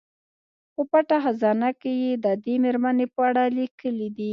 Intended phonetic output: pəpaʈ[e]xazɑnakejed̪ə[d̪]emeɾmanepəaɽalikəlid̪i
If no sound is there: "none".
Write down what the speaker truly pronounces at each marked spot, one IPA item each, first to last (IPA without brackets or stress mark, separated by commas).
a, d̪